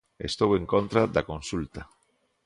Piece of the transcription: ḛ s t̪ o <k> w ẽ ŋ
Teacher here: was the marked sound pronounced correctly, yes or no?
no